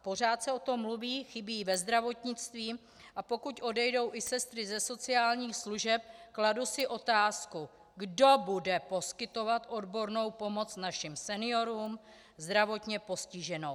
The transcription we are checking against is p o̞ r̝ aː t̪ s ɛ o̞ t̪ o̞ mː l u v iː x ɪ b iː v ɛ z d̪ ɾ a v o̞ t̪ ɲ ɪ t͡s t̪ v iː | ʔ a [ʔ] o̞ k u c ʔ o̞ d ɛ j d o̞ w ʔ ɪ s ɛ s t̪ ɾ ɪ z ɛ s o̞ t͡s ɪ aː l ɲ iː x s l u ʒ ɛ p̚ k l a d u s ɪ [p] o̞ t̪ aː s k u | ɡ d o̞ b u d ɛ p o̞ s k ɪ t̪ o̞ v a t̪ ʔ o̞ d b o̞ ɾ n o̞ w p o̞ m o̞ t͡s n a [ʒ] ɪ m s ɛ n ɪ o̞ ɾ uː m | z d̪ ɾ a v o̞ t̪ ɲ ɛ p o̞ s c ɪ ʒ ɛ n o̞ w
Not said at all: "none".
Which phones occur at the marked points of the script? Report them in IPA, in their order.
p, ʔ, ʃ

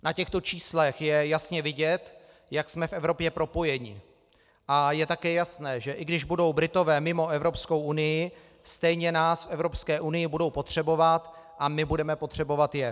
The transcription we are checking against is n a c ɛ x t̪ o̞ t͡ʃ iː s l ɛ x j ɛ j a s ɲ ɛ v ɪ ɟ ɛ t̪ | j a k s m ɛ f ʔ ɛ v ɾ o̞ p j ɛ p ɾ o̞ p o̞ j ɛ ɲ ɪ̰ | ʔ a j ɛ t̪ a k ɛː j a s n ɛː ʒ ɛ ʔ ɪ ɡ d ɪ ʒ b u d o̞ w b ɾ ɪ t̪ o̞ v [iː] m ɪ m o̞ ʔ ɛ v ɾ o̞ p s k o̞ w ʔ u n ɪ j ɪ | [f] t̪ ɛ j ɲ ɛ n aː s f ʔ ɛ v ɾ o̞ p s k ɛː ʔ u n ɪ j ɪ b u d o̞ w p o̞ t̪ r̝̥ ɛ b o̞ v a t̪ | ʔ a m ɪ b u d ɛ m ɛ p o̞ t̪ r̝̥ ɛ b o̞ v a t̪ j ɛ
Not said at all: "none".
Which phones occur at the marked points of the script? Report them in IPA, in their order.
ɛː, s

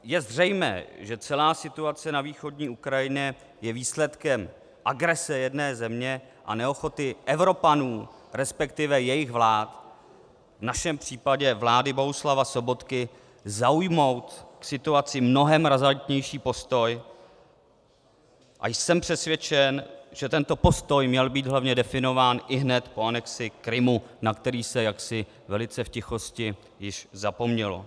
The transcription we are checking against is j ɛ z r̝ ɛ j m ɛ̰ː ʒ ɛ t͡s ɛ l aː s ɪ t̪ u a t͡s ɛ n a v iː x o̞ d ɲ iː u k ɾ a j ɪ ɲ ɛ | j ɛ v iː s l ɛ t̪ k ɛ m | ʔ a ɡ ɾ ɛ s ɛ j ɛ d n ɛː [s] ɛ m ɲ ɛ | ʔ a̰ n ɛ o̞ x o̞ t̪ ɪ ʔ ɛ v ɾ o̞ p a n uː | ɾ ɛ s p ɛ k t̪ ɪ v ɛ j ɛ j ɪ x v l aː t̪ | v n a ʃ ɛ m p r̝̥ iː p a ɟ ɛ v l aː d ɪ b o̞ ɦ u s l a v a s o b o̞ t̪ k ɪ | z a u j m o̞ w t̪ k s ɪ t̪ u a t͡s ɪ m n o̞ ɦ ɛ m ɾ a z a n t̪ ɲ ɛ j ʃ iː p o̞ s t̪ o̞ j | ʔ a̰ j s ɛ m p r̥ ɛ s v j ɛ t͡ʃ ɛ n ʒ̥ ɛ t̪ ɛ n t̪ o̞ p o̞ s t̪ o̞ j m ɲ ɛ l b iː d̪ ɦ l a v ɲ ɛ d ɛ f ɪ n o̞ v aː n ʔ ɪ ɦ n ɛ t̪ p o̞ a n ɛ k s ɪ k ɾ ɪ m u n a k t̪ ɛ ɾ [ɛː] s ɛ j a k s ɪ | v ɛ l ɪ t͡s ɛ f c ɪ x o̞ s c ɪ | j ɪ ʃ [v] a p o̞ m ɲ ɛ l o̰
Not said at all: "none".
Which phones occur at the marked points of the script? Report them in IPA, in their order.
z, iː, z

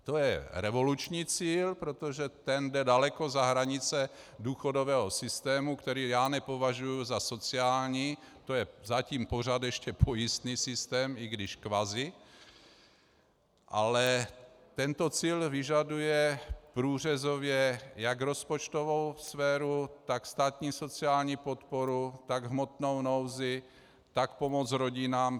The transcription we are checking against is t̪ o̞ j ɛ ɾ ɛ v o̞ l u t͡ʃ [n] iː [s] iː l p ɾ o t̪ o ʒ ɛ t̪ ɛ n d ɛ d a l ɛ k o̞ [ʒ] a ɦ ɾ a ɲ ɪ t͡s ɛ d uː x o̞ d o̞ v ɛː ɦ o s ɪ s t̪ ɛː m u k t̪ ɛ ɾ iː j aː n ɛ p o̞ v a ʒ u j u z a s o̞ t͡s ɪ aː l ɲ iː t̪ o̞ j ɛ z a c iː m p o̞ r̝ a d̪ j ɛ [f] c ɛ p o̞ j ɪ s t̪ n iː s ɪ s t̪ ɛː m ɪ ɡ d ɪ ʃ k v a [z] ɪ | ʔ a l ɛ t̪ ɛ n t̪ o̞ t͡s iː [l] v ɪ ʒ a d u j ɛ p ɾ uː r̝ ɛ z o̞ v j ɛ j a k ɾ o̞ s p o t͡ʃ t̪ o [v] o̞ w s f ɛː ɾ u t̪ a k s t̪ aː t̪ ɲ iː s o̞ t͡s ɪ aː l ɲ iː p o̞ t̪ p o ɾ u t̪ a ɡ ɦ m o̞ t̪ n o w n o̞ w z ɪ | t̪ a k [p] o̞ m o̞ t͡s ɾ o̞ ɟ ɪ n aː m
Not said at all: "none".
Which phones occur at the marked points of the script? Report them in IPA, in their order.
ɲ, t͡s, z, ʃ, z, l, v, p

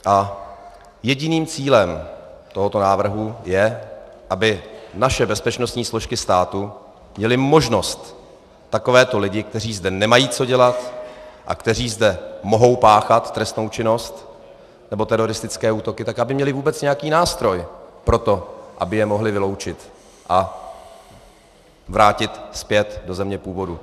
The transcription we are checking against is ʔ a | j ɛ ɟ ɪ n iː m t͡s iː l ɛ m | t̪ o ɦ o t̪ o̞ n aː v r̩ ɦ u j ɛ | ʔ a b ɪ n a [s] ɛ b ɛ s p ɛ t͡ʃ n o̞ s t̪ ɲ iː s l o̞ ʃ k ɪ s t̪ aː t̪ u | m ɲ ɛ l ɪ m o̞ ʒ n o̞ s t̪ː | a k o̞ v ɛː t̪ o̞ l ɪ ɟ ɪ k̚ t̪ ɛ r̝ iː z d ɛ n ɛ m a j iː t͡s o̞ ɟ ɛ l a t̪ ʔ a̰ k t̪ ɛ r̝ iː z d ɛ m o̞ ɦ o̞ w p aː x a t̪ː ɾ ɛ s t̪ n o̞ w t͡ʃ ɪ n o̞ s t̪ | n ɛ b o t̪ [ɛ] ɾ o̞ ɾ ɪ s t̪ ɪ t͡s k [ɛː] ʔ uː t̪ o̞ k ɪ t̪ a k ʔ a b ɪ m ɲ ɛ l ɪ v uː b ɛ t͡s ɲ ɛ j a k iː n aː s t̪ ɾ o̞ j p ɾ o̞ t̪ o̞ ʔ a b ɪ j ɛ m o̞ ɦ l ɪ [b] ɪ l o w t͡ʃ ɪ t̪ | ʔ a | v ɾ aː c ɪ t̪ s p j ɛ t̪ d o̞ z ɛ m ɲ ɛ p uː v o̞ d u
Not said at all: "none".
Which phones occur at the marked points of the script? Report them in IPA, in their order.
ʃ, ɛ, ɛː, v

